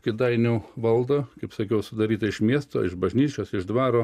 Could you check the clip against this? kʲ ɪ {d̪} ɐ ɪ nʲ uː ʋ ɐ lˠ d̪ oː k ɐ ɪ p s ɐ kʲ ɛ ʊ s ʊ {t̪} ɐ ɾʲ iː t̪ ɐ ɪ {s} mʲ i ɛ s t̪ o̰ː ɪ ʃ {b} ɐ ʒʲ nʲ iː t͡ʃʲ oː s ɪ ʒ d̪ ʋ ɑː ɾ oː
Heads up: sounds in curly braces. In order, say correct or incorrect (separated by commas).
correct, incorrect, incorrect, correct